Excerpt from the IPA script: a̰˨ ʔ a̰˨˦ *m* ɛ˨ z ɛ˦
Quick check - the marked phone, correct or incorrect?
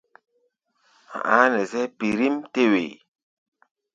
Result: incorrect